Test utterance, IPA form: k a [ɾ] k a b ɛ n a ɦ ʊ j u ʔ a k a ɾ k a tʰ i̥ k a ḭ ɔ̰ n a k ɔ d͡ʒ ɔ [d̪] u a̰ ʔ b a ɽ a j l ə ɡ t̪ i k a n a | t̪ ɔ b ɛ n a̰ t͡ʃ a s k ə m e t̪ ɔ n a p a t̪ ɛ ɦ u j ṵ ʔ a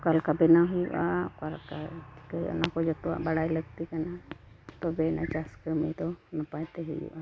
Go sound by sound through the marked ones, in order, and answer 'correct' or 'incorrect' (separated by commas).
incorrect, incorrect